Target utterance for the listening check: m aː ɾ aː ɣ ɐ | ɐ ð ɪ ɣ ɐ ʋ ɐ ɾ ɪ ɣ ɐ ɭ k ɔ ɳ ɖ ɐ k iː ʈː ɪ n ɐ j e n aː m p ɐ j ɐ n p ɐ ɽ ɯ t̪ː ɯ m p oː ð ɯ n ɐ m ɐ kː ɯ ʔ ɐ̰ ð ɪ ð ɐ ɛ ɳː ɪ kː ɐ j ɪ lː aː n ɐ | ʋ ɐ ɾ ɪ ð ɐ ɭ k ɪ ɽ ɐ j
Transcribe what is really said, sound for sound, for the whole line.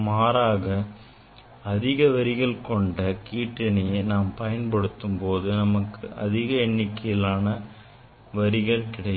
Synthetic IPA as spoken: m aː ɾ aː ɣ ɐ | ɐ ð ɪ ɣ ɐ ʋ ɐ ɾ ɪ ɣ ɐ ɭ k ɔ ɳ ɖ ɐ k iː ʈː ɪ n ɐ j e n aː m p ɐ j ɐ n p ɐ ɽ ɯ t̪ː ɯ m p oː ð ɯ n ɐ m ɐ kː ɯ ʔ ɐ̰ ð ɪ ɣ ɐ ɛ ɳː ɪ kː ɐ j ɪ l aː n ɐ | ʋ ɐ ɾ ɪ ɣ ɐ ɭ k ɪ ɽ ɐ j